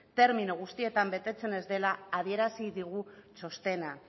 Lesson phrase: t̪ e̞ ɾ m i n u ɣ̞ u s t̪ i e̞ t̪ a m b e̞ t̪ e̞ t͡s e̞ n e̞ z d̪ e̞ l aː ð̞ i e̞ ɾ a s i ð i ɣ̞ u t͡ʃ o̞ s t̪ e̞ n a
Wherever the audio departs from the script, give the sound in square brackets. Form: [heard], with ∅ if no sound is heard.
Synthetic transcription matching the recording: t̪ e̞ ɾ m i n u ɣ̞ u s t̪ i e̞ t̪ a m b e̞ t̪ e̞ t͡s e̞ n e̞ z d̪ e̞ l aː ð̞ i e̞ ɾ a s i ð i ɣ̞ u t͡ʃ o̞ s t̪ e̞ n a